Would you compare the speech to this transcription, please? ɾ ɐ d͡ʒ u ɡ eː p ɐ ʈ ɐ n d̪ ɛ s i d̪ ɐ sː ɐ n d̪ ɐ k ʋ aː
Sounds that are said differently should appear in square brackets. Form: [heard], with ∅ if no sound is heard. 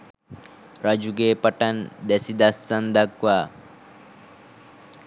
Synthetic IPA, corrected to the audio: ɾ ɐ d͡ʒ u ɡ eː p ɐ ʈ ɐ n d̪ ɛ s i d̪ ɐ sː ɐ n d̪ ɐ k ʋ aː